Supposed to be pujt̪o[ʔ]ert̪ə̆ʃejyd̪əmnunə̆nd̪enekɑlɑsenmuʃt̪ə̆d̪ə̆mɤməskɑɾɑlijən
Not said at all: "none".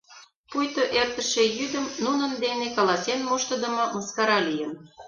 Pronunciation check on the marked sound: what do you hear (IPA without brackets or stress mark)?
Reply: ʔ